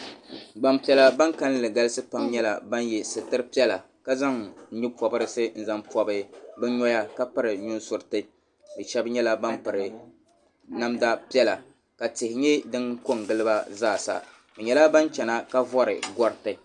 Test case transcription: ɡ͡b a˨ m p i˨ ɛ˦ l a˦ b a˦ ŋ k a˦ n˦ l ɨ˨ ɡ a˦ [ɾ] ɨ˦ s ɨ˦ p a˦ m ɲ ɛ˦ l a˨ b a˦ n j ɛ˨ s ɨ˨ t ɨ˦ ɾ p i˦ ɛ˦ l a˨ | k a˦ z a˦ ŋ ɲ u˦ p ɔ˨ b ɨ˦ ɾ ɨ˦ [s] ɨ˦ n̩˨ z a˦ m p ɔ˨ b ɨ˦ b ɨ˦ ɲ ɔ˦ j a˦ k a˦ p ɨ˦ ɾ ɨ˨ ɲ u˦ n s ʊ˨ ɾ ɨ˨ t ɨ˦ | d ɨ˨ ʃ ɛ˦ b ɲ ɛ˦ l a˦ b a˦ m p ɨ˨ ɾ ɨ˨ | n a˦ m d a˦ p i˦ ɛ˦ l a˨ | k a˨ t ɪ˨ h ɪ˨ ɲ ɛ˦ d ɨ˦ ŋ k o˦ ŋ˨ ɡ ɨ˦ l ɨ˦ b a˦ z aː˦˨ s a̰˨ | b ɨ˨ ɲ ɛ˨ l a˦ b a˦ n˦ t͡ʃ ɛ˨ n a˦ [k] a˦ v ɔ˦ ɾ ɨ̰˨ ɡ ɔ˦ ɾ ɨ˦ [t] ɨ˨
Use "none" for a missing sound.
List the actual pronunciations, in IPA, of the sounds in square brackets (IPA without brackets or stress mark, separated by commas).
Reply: l, s, k, t